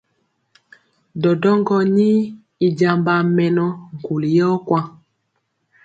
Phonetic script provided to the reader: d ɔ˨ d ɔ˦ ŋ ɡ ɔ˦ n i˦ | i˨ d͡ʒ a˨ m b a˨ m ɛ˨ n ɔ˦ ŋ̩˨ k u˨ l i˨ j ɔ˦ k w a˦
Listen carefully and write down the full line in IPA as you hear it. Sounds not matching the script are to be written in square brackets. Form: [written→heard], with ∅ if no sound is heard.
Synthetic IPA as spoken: d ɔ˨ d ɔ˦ ŋ ɡ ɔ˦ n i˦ | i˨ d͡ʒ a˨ m b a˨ m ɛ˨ n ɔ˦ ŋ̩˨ k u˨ l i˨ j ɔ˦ k w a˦